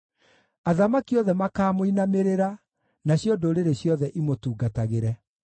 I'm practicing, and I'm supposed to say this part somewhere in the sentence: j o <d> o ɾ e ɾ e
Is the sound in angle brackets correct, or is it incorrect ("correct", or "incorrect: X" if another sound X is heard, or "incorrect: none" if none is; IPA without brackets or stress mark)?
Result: correct